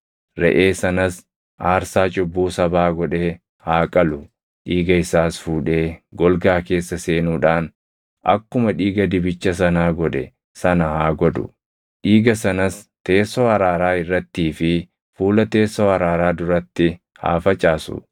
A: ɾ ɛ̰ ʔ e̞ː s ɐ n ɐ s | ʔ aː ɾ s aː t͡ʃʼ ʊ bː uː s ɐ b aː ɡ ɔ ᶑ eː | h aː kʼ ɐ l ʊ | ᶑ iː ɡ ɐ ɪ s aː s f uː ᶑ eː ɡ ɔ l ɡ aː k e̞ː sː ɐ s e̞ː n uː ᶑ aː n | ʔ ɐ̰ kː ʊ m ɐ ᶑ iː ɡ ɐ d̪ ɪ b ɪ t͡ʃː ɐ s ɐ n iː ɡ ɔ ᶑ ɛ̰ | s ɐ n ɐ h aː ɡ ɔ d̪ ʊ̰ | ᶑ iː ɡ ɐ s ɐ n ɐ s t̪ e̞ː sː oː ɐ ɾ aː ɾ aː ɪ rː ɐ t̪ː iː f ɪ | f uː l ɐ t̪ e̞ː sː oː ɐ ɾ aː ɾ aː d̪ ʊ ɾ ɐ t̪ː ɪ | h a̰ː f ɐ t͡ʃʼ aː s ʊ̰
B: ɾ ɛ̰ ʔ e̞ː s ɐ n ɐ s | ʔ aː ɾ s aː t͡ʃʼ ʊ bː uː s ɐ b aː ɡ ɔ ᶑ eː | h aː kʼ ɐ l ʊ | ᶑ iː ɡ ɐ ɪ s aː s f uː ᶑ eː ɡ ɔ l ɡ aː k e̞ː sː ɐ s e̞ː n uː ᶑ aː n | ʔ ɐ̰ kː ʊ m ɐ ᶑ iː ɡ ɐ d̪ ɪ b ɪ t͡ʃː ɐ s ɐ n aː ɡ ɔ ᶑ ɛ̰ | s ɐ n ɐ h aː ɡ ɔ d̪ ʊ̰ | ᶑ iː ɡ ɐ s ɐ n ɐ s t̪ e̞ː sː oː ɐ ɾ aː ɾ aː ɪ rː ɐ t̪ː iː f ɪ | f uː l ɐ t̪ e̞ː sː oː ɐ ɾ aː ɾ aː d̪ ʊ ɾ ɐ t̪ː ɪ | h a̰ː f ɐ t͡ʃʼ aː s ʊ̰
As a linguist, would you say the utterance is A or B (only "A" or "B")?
B